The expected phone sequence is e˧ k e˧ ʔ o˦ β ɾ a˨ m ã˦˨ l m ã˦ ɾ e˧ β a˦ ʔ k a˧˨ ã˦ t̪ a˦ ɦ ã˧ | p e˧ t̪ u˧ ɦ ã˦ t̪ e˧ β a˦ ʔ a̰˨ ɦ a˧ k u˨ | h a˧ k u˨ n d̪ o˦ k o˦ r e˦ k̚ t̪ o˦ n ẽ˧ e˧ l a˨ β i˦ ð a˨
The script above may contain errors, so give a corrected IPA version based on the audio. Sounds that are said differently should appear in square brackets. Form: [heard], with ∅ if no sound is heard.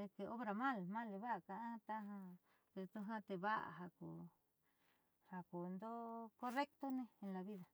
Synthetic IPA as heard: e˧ k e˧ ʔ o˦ β ɾ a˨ m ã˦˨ l m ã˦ [l] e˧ β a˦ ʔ k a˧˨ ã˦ t̪ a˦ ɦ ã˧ | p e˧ t̪ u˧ ɦ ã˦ t̪ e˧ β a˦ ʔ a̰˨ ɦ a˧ k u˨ | h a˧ k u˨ n d̪ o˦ k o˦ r e˦ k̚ t̪ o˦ n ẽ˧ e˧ l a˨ β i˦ ð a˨